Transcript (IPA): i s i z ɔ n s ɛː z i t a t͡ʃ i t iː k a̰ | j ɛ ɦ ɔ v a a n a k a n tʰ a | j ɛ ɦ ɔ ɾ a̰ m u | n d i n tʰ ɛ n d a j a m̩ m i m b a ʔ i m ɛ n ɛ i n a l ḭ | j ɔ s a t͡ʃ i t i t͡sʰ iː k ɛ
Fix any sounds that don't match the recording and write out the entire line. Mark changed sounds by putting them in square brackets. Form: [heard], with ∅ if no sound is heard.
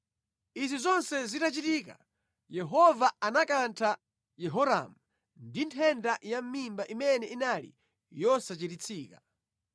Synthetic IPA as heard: i [z] i z ɔ n s [ɛ] z i t a t͡ʃ i t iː k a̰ | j ɛ ɦ ɔ v a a n a k a n tʰ a | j ɛ ɦ ɔ ɾ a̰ m u | n d i n tʰ ɛ n d a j a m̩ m i m b a ʔ i m ɛ n ɛ i n a l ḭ | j ɔ s a t͡ʃ i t i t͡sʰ iː k [a]